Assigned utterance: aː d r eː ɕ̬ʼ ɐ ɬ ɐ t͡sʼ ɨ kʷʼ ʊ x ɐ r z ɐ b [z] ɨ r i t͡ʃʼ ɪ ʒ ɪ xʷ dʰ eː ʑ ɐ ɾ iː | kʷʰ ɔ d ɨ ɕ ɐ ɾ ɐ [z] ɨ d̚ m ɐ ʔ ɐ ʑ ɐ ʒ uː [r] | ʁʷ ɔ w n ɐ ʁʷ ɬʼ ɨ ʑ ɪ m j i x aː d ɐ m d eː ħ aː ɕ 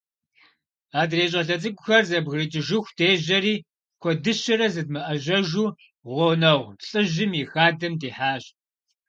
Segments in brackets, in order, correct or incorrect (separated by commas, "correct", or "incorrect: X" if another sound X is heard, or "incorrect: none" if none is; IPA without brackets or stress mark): incorrect: ɣ, correct, incorrect: none